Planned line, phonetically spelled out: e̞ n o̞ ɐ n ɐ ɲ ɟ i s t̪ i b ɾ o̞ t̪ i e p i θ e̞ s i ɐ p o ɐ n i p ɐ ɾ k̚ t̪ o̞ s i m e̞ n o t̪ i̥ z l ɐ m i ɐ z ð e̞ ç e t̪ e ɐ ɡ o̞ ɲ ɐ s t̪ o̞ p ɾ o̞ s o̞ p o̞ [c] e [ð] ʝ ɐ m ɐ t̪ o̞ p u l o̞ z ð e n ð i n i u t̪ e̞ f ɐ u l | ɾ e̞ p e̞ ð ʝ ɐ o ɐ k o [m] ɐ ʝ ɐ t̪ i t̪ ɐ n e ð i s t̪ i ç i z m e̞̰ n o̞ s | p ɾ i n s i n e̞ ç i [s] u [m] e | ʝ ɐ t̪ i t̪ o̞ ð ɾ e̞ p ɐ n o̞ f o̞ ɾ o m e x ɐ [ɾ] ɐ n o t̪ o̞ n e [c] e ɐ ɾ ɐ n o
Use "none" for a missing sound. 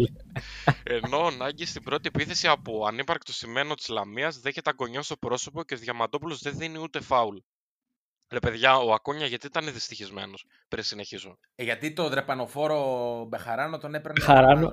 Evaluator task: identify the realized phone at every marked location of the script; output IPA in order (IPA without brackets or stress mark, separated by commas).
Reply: c, ð, ɲ, z, m, ɾ, p